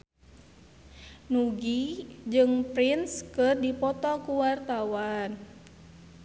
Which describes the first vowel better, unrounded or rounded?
rounded